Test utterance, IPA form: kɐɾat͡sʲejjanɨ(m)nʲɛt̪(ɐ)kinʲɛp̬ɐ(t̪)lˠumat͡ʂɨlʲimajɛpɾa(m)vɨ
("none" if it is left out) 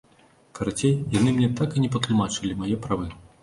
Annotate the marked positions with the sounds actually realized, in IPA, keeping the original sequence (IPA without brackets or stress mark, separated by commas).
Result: m, a, t̪, none